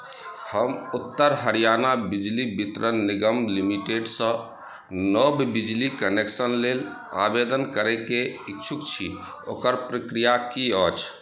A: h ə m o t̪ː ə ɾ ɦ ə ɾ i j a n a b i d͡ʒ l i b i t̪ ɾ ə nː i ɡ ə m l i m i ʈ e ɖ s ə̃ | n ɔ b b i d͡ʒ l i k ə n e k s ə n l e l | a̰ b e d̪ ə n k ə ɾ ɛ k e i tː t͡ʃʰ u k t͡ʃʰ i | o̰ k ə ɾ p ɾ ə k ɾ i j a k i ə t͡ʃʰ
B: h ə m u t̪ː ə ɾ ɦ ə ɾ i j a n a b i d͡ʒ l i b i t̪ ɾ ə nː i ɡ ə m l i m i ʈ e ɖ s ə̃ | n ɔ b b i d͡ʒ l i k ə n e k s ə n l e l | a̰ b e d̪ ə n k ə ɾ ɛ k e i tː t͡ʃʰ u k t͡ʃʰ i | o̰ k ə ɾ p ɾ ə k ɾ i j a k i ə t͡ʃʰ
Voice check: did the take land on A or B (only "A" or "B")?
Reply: B